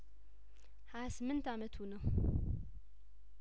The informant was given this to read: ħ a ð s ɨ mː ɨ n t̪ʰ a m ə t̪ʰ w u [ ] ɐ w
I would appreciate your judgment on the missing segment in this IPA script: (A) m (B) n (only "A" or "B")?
B